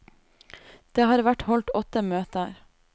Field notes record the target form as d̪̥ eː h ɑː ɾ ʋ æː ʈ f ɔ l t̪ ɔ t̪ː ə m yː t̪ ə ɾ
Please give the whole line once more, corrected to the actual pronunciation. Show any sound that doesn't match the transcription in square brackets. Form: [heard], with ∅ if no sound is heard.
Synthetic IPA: d̪̥ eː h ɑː ɾ ʋ [æ] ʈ [h] ɔ l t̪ ɔ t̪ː ə m [øː] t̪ ə ɾ